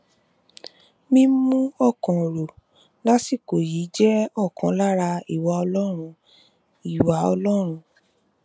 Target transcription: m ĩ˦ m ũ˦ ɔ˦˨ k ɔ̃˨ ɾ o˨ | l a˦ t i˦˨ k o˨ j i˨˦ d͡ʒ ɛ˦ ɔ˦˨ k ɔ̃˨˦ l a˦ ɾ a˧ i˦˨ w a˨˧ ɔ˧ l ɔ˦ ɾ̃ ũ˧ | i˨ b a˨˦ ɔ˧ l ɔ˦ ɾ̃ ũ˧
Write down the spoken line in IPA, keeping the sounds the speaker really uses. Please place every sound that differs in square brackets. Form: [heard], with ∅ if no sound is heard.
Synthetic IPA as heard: m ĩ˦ m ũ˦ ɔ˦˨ k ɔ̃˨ ɾ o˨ | l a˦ [s] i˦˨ k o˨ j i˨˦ d͡ʒ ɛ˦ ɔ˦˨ k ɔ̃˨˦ l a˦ ɾ a˧ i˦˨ w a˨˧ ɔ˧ l ɔ˦ ɾ̃ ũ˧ | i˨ [w] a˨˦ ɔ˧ l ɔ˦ ɾ̃ ũ˧